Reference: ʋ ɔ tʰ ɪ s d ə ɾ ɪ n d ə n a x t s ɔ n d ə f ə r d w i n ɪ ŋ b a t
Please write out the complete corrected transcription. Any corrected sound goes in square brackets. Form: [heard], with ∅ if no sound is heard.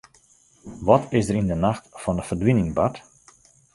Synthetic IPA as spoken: ʋ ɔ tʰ ɪ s d ə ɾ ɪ n d ə n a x t [f] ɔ n d ə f ə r d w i n ɪ ŋ b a t